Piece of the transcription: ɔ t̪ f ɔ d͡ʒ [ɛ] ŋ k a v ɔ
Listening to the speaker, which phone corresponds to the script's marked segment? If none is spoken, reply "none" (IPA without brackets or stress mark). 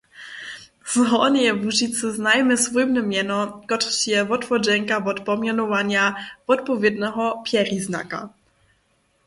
ɛ